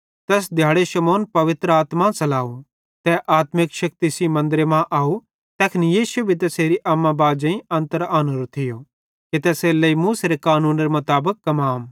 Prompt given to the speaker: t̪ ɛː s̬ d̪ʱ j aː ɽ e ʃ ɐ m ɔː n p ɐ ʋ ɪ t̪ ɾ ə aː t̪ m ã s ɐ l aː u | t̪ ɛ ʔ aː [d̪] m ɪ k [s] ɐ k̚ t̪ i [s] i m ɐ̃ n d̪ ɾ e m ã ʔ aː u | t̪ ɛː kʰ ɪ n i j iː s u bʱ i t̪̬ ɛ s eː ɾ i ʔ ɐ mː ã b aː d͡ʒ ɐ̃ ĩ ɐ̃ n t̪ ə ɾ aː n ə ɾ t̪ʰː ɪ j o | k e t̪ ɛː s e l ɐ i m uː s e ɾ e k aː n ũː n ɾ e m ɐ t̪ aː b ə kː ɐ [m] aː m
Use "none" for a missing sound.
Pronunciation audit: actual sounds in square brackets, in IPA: t̪, ʃ, s, m

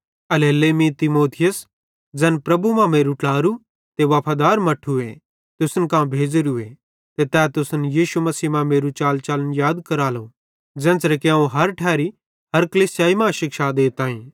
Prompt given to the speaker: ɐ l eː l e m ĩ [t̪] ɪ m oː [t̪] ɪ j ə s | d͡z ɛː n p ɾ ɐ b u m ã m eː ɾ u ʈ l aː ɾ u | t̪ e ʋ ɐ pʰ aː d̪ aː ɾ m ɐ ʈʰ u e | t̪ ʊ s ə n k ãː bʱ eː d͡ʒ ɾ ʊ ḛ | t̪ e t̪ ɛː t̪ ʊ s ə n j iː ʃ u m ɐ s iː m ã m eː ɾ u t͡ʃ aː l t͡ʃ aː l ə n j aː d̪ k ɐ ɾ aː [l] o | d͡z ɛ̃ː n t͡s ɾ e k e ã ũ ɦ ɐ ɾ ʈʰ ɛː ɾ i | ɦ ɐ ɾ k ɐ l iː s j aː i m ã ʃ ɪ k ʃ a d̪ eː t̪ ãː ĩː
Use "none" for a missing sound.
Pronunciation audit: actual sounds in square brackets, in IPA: t̪, t̪ʰ, l

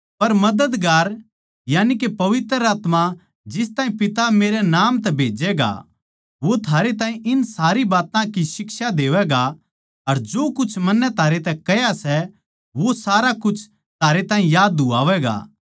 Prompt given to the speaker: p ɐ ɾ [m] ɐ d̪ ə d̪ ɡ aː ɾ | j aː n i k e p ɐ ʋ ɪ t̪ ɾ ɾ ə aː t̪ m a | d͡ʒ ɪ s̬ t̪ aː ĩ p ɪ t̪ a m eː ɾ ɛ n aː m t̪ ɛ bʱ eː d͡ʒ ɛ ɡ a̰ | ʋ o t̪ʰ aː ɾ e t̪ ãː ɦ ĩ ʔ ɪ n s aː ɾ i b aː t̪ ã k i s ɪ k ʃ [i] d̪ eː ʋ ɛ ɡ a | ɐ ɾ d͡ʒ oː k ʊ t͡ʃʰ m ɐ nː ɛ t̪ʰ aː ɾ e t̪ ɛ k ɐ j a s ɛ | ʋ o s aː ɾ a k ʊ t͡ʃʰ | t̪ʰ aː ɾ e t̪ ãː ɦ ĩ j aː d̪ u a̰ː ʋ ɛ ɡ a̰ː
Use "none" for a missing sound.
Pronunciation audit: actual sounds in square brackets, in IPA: m, a

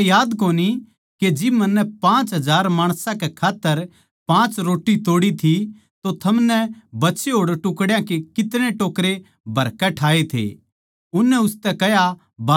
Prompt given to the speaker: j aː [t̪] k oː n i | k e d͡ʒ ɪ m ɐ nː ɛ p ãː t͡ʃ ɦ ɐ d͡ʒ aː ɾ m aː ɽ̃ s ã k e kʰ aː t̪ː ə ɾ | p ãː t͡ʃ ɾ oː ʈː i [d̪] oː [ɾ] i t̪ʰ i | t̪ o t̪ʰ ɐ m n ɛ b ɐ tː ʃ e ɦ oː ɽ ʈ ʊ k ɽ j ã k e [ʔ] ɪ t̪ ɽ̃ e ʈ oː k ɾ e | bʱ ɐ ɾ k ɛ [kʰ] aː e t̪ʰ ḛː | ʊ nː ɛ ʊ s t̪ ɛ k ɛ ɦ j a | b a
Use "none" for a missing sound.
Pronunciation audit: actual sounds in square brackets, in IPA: d̪, t̪, ɽ, k, ʈʰ

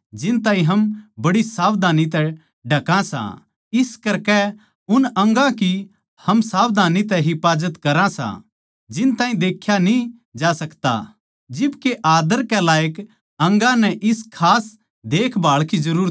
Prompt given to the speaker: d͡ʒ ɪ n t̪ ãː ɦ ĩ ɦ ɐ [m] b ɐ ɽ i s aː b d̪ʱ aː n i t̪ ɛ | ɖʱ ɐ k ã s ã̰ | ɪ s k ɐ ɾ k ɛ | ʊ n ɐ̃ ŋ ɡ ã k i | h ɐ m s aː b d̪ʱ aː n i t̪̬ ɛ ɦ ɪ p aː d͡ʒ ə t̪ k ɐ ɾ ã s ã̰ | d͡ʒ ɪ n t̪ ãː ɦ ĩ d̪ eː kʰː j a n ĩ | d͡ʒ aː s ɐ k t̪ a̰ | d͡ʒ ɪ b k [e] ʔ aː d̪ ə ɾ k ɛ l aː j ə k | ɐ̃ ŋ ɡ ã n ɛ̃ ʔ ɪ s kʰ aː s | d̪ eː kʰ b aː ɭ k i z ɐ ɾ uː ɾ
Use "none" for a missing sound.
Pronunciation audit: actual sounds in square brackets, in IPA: m, e

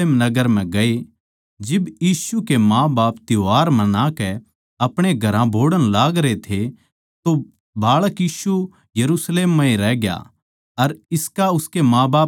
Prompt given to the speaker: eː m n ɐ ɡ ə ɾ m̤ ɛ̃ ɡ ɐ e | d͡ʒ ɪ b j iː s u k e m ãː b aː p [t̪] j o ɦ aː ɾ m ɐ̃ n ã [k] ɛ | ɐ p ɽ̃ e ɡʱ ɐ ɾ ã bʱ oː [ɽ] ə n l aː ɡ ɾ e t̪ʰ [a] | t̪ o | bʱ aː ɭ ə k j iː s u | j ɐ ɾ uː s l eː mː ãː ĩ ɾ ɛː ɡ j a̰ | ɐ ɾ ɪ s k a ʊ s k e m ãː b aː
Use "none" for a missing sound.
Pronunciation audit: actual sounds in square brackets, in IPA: t̪, k, ɽ, e

